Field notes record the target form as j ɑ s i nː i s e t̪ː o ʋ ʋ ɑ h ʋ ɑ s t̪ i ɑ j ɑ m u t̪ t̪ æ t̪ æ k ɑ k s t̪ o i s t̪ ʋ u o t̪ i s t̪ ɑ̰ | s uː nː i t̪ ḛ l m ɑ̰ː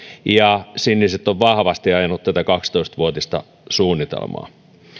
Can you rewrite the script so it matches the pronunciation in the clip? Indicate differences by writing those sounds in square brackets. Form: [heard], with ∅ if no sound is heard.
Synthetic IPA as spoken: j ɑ s i nː i s e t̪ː o ʋ ʋ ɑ h ʋ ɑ s t̪ i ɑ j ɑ [n] u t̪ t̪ æ t̪ æ k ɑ k s t̪ o i s t̪ ʋ u o t̪ i s t̪ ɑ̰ | s uː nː i t̪ ḛ l m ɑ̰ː